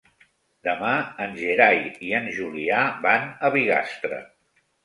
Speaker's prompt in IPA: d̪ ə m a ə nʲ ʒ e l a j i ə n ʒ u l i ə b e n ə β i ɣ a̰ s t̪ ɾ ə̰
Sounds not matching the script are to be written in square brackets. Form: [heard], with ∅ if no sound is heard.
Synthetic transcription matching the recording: d̪ ə m a ə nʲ ʒ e [ɾ] a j i ə n ʒ u l i [a] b [a] n ə β i ɣ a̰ s t̪ ɾ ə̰